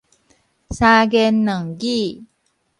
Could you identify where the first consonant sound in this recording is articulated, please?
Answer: alveolar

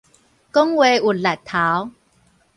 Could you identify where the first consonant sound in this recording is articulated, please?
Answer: velar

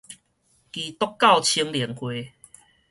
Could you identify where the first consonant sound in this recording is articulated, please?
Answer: velar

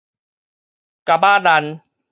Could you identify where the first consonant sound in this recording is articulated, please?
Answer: velar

